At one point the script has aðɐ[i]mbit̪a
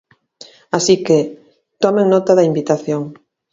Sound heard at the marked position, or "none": i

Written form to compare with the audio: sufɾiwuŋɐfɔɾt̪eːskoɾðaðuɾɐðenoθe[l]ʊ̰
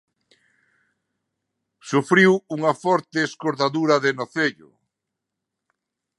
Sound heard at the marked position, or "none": ʎ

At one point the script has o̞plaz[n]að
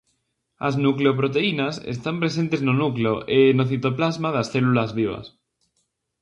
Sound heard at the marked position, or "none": m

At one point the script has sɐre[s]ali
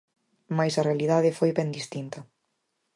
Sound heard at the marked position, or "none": none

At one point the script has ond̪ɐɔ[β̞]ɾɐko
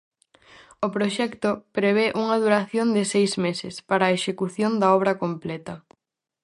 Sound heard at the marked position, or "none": β̞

